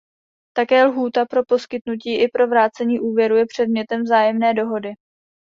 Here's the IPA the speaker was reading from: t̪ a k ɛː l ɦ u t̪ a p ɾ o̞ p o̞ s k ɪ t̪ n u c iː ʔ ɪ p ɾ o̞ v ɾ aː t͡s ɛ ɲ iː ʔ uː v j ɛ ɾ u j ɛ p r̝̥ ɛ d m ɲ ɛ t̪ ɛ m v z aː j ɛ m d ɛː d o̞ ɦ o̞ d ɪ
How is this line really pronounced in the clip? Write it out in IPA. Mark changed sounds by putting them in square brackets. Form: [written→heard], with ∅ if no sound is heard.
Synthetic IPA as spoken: t̪ a k ɛː l ɦ [u→uː] t̪ a p ɾ o̞ p o̞ s k ɪ t̪ n u c iː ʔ ɪ p ɾ o̞ v ɾ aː t͡s ɛ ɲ iː ʔ uː v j ɛ ɾ u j ɛ p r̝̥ ɛ d m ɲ ɛ t̪ ɛ m v z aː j ɛ m [d→n] ɛː d o̞ ɦ o̞ d ɪ